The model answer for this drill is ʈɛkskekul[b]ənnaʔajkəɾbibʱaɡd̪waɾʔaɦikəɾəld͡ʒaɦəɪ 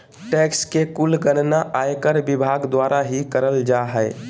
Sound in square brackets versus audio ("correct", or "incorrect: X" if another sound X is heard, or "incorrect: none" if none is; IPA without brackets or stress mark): incorrect: ɡ